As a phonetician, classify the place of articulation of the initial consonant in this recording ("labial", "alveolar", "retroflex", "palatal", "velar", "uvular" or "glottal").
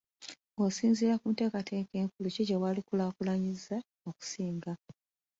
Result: alveolar